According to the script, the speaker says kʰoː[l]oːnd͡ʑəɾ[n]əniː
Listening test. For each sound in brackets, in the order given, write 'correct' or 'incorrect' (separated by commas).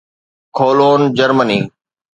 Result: correct, incorrect